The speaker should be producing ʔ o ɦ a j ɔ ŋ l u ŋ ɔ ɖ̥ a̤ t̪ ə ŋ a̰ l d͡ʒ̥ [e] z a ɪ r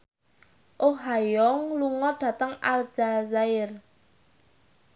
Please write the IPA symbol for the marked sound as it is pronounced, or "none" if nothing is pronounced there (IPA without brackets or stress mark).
a